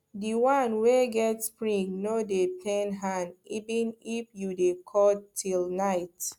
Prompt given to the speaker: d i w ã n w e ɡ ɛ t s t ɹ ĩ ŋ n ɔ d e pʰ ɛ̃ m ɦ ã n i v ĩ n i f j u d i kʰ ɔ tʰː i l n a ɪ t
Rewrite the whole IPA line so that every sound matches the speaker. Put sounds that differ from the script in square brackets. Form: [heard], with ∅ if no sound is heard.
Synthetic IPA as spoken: d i w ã n w e ɡ ɛ t s [p] ɹ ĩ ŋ n [o] d e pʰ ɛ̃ [n] ɦ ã n i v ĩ n i f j u d [e] kʰ ɔ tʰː i l n a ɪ t